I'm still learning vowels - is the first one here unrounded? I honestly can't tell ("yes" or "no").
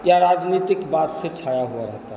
yes